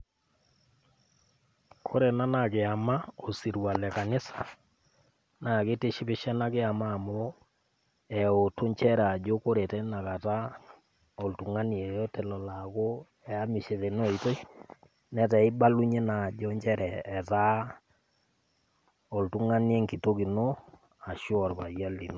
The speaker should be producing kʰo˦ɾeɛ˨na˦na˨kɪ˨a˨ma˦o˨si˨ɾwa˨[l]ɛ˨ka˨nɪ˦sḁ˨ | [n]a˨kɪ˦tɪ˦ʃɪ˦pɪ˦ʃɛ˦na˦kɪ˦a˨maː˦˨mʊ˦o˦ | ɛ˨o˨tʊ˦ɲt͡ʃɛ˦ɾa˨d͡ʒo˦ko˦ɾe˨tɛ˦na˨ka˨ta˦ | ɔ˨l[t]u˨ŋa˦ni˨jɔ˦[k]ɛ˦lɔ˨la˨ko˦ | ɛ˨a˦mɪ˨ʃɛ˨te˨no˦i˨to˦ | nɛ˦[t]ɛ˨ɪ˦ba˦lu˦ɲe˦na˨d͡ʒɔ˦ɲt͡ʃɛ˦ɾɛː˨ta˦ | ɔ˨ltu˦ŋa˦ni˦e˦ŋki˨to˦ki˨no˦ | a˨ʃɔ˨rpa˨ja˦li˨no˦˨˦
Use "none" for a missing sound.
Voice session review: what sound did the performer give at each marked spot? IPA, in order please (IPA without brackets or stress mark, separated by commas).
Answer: l, n, t, t, t